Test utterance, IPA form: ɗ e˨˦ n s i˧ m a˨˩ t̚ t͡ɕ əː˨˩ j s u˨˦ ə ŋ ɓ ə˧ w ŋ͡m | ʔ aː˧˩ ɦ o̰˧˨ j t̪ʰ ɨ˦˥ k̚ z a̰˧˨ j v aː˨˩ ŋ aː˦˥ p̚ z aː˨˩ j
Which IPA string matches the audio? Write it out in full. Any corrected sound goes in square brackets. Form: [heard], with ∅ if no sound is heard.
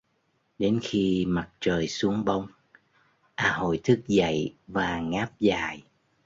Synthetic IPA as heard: ɗ e˨˦ n [x] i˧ m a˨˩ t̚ t͡ɕ əː˨˩ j s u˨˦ ə ŋ ɓ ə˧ w ŋ͡m | ʔ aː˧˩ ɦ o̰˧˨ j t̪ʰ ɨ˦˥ k̚ z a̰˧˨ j v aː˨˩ ŋ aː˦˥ p̚ z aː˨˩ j